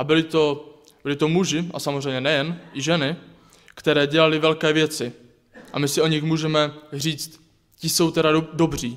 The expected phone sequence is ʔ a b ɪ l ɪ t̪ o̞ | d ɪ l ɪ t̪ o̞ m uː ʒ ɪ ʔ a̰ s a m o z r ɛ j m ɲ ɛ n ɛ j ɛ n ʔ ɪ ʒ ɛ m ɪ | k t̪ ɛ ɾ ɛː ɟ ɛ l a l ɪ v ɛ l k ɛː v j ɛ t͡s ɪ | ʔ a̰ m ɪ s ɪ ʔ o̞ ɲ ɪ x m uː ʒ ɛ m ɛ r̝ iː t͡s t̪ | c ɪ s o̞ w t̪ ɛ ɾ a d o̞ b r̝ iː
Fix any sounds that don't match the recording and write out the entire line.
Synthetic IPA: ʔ a b ɪ l ɪ t̪ o̞ | b ɪ l ɪ t̪ o̞ m u ʒ ɪ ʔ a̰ s a m o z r ɛ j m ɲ ɛ n ɛ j ɛ n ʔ ɪ ʒ ɛ n ɪ | k t̪ ɛ ɾ ɛː ɟ ɛ l a l ɪ v ɛ l k ɛː v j ɛ t͡s ɪ | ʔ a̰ m ɪ s ɪ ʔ o̞ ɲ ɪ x m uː ʒ ɛ m ɛ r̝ iː t͡s t̪ | c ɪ s o̞ w t̪ ɛ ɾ a d o̞ b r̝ iː